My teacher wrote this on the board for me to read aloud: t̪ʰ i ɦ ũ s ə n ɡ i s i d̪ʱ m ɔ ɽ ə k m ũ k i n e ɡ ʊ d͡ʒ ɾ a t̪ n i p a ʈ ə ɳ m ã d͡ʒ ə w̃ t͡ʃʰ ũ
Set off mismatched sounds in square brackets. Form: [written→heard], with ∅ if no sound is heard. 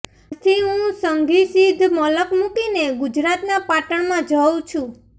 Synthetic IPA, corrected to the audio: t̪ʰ i ɦ ũ s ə [n→ŋ] ɡ i s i d̪ʱ m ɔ [ɽ→l] ə k m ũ k i n e ɡ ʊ d͡ʒ ɾ a t̪ n [i→a] p a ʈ ə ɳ m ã d͡ʒ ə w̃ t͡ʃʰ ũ